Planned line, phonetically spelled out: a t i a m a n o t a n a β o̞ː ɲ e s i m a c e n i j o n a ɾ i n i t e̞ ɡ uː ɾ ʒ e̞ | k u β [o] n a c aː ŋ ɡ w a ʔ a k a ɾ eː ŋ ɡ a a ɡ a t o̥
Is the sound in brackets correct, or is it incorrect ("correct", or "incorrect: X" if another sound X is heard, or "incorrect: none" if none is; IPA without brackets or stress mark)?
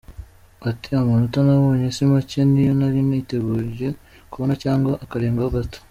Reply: correct